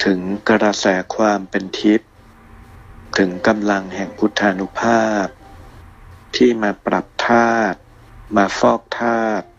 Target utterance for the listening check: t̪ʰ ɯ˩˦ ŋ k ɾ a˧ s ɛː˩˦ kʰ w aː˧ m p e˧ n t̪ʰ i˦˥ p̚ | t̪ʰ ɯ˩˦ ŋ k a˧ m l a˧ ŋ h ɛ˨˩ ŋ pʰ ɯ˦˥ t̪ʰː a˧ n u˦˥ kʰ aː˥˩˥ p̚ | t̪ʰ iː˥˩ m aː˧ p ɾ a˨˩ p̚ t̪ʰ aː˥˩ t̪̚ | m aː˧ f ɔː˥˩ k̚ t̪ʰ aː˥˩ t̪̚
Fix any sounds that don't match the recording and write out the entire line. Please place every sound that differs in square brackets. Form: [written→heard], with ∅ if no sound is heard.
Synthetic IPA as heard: t̪ʰ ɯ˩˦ ŋ k ɾ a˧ s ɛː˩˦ kʰ w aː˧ m p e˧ n t̪ʰ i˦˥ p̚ | t̪ʰ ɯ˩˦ ŋ k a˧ m l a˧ ŋ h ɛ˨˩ ŋ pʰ [ɯ˦˥→u˦˥] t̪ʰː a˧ n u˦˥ [kʰ→pʰ] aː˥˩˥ p̚ | t̪ʰ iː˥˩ m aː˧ p ɾ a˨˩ p̚ t̪ʰ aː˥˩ t̪̚ | m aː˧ f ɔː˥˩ k̚ t̪ʰ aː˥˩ t̪̚